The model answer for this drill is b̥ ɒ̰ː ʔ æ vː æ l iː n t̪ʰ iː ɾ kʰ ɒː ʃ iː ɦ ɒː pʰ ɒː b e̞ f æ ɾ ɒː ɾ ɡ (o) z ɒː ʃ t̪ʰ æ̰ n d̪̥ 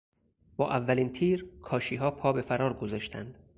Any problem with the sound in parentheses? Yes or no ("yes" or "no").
no